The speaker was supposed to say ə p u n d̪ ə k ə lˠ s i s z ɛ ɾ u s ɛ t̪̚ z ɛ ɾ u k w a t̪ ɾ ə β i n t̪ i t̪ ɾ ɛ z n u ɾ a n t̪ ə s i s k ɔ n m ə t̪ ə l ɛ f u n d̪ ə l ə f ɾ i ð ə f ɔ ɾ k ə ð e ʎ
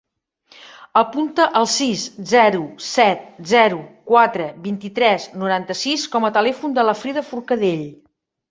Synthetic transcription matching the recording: ə p u n t̪ ə ʔ ə lˠ s i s z ɛ ɾ u s ɛ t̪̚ z ɛ ɾ u k w a t̪ ɾ ə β i n t̪ i t̪ ɾ ɛ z n u ɾ a n t̪ ə s i s k ɔ m ə t̪ ə l ɛ f u n d̪ ə l ə f ɾ i ð ə f u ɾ k ə ð e ʎ